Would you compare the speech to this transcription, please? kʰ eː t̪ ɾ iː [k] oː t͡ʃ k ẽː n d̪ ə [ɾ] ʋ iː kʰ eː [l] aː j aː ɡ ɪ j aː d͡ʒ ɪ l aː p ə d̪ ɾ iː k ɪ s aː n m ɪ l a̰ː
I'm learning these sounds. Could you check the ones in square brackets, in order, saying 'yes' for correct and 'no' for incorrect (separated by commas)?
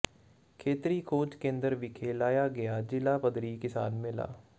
no, yes, yes